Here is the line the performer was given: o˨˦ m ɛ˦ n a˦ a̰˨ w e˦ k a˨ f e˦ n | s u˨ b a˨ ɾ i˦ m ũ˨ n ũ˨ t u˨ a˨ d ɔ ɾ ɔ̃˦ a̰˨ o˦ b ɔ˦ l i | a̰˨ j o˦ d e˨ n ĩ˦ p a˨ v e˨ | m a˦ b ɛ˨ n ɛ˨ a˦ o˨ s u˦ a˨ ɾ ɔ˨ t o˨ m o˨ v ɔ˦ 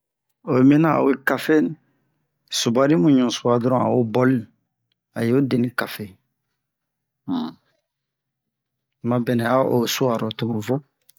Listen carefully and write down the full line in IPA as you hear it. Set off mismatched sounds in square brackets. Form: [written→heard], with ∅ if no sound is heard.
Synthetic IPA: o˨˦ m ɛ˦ n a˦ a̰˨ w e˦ k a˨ f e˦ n | s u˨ b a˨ ɾ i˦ m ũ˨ [n→ɲ] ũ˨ [t→s] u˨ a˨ d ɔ ɾ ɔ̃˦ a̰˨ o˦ b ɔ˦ l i | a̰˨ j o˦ d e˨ n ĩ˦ [p→k] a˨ [v→f] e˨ | m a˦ b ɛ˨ n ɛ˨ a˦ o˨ s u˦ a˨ ɾ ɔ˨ t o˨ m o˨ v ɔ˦